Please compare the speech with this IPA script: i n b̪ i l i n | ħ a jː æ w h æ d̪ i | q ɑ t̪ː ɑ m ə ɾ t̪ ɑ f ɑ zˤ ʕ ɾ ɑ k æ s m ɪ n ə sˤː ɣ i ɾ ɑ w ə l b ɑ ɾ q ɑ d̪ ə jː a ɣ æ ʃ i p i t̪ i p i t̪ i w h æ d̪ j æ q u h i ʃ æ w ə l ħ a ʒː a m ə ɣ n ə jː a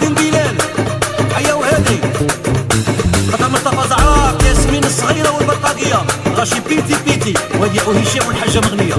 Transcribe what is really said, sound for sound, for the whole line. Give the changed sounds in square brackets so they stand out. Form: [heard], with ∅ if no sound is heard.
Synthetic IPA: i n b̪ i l [æ] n | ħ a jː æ w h æ d̪ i | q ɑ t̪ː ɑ m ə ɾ t̪ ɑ f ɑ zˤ ʕ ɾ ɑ k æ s m [i] n ə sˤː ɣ i ɾ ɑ w ə l b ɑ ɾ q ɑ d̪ ə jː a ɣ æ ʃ i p i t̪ i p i t̪ i w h æ d̪ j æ [ʔ] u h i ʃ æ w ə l ħ a ʒː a m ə ɣ n ə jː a